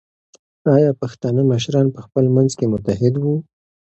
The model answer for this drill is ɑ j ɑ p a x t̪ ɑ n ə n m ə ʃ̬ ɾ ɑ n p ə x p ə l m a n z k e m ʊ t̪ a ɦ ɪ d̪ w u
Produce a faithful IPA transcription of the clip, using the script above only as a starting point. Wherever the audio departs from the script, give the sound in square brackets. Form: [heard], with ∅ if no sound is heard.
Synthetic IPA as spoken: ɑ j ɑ p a x t̪ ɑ n ə [∅] m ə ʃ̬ ɾ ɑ n p ə x p ə l m a n z k e m ʊ t̪ a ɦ ɪ d̪ w u